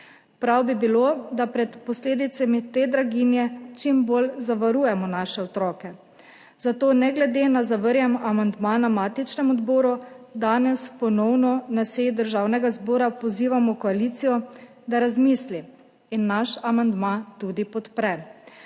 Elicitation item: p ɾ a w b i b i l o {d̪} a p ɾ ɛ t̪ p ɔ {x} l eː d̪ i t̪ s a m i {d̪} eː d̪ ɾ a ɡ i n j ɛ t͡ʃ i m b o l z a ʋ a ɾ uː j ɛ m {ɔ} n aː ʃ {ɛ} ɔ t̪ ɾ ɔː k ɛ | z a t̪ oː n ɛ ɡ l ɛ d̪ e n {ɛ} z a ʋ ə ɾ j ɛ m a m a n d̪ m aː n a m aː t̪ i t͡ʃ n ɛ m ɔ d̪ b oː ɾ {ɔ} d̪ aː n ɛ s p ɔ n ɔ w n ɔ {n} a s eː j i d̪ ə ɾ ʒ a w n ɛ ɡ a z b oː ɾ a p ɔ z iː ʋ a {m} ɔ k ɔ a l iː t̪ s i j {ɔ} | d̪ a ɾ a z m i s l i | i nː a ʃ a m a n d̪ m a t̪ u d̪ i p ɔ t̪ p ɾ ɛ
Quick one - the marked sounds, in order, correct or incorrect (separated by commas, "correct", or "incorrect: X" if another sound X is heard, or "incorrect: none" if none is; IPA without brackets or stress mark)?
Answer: correct, incorrect: s, incorrect: t̪, correct, correct, incorrect: a, incorrect: u, correct, correct, correct